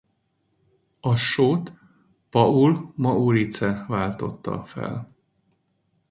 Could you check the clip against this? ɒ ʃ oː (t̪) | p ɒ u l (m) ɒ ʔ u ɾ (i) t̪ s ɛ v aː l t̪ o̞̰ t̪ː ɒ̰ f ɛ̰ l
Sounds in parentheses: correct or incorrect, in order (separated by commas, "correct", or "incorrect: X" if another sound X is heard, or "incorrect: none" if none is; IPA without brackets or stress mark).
correct, correct, correct